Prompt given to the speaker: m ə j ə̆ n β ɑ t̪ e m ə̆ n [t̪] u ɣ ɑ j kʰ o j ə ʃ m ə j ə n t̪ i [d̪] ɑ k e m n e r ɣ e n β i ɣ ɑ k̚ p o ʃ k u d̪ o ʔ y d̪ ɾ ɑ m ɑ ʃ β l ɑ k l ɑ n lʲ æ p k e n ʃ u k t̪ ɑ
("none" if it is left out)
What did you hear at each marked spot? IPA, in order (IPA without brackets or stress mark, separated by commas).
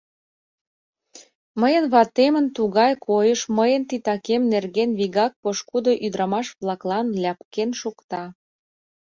t̪, t̪